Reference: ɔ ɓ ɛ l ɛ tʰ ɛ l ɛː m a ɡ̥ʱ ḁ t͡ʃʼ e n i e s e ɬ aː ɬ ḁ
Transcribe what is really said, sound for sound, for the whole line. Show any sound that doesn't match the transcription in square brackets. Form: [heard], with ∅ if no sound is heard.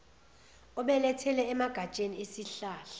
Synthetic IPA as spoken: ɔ ɓ ɛ l ɛ tʰ ɛ l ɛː m a ɡ̥ʱ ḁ t͡ʃʼ e n i e s [i] ɬ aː ɬ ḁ